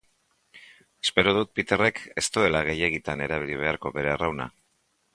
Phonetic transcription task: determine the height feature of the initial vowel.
mid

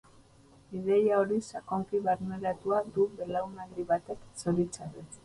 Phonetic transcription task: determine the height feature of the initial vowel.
high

